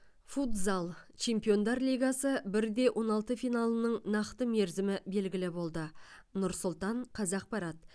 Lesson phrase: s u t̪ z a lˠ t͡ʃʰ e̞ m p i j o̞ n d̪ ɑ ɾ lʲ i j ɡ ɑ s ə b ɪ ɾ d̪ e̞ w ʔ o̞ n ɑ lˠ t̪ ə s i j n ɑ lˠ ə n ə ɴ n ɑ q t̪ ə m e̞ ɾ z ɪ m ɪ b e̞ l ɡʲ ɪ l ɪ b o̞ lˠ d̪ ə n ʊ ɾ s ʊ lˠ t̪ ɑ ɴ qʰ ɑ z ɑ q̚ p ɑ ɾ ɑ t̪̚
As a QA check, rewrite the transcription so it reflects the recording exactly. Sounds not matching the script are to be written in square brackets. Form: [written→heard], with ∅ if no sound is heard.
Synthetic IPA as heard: [s→f] u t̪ z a lˠ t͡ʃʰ e̞ m p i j o̞ n d̪ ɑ ɾ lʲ i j ɡ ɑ s ə b ɪ ɾ d̪ e̞ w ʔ o̞ n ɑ lˠ t̪ ə [s→f] i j n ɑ lˠ ə n ə ɴ n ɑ q t̪ ə m e̞ ɾ z ɪ m ɪ b e̞ l ɡʲ ɪ l ɪ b o̞ lˠ d̪ ə n ʊ ɾ s ʊ lˠ t̪ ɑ ɴ qʰ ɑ z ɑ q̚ p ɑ ɾ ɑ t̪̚